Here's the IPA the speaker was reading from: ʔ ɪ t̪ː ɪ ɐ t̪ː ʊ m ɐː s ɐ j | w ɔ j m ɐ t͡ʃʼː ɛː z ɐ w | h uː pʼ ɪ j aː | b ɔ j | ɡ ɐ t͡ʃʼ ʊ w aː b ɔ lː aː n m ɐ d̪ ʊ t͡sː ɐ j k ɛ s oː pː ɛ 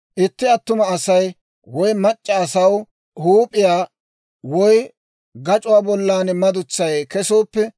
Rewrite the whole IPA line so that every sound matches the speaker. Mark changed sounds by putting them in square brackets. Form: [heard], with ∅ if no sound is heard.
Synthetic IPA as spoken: ʔ ɪ t̪ː ɪ ɐ t̪ː ʊ m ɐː s ɐ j | w ɔ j m ɐ t͡ʃʼː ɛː [s] ɐ w | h uː pʼ ɪ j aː | [w] ɔ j | ɡ ɐ t͡ʃʼ ʊ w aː b ɔ lː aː n m ɐ d̪ ʊ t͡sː ɐ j k ɛ s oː pː ɛ